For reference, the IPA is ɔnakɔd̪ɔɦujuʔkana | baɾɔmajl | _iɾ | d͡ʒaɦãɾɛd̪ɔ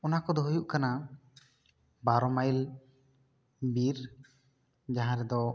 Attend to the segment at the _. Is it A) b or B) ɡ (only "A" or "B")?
A